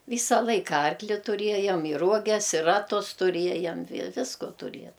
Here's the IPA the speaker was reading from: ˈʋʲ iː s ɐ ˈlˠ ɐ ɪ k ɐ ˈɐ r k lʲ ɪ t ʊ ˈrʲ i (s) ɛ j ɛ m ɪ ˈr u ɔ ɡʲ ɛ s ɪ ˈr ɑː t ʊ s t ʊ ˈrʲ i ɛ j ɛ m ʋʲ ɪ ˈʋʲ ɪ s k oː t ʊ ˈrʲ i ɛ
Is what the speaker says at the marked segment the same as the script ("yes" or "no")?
no